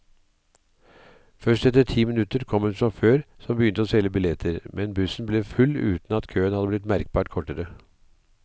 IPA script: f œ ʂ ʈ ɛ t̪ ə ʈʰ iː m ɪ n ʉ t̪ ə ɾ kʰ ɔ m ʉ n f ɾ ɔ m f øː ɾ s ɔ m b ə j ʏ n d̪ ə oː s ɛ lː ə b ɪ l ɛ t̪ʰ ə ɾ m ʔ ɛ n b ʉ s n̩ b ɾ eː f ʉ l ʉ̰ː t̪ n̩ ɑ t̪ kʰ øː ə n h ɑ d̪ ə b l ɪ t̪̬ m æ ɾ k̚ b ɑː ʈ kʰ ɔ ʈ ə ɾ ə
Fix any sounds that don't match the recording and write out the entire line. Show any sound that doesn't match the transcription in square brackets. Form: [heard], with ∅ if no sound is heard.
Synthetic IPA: f œ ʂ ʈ ɛ t̪ ə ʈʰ iː m ɪ n ʉ t̪ ə ɾ kʰ ɔ m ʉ n f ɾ ɔ m f øː ɾ s ɔ m b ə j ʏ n [t̪] ə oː s ɛ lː ə b ɪ l ɛ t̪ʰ ə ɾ m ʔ ɛ n b ʉ s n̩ b [l] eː f ʉ l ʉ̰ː t̪ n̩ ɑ t̪ kʰ øː ə n h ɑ d̪ ə b l ɪ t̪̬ m æ ɾ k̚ b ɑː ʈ kʰ ɔ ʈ ə ɾ ə